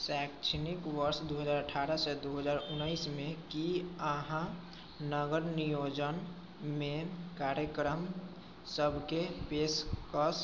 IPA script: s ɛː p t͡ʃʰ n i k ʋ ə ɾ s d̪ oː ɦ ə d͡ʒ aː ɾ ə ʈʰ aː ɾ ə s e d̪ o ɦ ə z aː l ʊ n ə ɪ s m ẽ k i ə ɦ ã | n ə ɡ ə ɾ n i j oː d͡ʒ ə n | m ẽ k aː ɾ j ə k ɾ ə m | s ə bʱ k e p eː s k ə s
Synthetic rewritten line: s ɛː k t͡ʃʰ n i k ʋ ə ɾ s d̪ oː ɦ ə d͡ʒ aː ɾ ə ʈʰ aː ɾ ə s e d̪ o ɦ ə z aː ɾ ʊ n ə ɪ s m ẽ k i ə ɦ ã | n ə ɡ ə ɾ n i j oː d͡ʒ ə n | m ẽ k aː ɾ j ə k ɾ ə m | s ə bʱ k e p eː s k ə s